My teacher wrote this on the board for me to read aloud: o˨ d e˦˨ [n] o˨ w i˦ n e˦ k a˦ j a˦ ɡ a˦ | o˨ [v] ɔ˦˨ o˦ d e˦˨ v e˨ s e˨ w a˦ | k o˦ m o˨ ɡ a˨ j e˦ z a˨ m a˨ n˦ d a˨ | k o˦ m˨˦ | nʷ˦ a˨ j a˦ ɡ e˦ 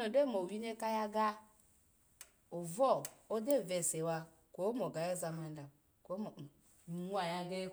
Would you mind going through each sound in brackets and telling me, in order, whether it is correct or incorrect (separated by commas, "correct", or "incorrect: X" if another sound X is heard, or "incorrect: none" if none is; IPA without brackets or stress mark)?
incorrect: m, correct